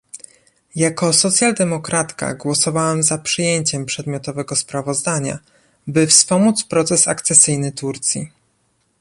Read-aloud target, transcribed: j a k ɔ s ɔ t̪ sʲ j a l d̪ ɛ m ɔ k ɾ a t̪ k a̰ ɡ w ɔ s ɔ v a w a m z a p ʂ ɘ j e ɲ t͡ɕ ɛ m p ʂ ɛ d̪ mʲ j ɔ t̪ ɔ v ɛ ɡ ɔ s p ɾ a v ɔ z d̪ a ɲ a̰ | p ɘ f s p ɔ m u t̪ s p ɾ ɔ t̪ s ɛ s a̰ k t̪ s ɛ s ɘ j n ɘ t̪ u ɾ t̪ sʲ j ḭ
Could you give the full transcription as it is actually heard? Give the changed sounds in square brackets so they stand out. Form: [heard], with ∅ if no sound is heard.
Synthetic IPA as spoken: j a k ɔ s ɔ t̪ sʲ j a l d̪ ɛ m ɔ k ɾ a t̪ k a̰ ɡ w ɔ s ɔ v a w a m z a p ʂ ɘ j e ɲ t͡ɕ ɛ m p ʂ ɛ d̪ mʲ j ɔ t̪ ɔ v ɛ ɡ ɔ s p ɾ a v ɔ z d̪ a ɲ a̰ | [b] ɘ f s p ɔ m u t̪ s p ɾ ɔ t̪ s ɛ s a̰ k t̪ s ɛ s ɘ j n ɘ t̪ u ɾ t̪ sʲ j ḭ